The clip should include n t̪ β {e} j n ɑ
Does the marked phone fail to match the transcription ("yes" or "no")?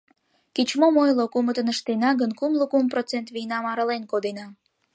yes